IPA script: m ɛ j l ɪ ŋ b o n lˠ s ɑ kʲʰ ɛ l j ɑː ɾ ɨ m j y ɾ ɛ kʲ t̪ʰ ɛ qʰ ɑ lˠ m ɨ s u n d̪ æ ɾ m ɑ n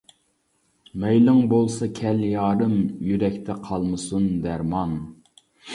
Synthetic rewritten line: m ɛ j l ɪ ŋ b o lˠ s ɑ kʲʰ ɛ l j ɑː ɾ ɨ m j y ɾ ɛ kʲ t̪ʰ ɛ qʰ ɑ lˠ m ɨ s u n d̪ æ ɾ m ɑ n